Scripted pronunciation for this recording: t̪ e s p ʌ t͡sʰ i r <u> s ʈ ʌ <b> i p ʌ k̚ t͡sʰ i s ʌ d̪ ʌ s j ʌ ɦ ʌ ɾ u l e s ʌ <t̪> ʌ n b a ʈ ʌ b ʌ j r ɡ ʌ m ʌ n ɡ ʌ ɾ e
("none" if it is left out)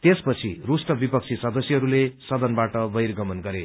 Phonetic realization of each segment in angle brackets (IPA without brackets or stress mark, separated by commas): u, b, d̪